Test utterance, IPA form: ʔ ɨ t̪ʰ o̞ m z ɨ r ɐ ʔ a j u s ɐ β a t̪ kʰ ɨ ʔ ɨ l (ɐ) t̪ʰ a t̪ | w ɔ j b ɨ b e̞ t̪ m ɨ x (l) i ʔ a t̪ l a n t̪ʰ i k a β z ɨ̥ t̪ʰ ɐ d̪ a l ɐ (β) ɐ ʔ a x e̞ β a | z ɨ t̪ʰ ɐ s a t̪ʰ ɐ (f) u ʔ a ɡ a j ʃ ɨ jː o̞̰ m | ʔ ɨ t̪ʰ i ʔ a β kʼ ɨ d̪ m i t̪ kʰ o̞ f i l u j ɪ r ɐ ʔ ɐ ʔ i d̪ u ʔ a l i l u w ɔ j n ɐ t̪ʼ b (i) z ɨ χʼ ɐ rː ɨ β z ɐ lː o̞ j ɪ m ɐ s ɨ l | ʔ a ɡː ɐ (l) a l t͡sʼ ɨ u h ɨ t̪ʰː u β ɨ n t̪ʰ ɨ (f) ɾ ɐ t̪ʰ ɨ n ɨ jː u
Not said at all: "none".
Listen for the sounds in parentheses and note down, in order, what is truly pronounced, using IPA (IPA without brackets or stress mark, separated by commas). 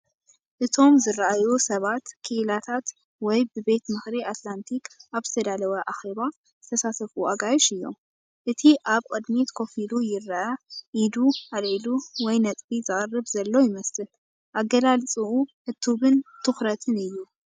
a, ɾ, w, f, i, l, x